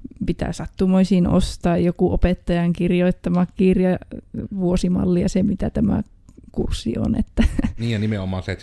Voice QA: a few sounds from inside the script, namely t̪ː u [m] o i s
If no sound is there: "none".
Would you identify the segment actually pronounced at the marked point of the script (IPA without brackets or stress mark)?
m